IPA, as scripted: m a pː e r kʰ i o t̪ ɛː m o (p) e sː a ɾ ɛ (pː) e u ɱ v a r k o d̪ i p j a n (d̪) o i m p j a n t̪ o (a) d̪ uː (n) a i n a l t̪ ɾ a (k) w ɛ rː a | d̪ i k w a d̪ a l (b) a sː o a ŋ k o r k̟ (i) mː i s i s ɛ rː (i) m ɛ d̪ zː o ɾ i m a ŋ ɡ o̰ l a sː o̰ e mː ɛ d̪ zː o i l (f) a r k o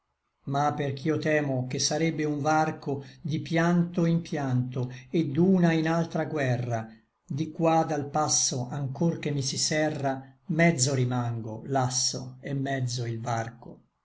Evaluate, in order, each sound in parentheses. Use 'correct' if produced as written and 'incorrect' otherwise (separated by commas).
incorrect, incorrect, incorrect, incorrect, correct, incorrect, incorrect, incorrect, incorrect, incorrect